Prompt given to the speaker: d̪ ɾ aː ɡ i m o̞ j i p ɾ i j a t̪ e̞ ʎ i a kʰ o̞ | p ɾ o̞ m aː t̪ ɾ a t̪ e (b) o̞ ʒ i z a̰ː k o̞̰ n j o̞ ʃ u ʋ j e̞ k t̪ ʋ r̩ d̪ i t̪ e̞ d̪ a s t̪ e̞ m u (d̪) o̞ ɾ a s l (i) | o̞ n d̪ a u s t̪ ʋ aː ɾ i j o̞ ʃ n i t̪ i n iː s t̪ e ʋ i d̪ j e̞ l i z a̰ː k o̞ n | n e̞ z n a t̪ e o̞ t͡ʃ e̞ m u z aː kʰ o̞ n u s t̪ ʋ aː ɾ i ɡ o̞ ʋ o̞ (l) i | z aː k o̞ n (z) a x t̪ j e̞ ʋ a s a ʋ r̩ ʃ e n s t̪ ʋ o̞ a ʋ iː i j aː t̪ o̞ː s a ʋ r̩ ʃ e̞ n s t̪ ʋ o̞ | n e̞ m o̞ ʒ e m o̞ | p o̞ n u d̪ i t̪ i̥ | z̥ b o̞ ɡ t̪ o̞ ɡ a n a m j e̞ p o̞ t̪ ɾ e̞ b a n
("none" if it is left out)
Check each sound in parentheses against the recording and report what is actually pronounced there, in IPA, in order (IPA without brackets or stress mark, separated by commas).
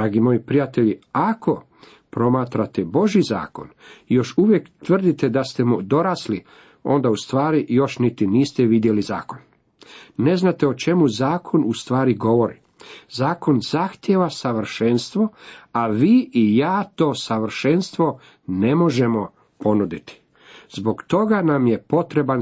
b, d̪, i, ɾ, z